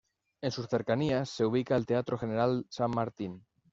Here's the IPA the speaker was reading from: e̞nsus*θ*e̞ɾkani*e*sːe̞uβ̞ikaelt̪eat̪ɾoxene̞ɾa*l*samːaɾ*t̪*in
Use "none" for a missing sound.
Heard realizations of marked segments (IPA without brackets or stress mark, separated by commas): θ, a, l, t̪